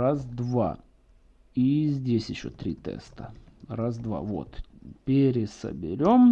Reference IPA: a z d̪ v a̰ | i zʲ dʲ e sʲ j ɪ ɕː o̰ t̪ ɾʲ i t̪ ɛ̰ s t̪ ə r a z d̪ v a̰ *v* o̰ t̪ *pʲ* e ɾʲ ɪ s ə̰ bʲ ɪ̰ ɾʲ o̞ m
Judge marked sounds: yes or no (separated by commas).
yes, yes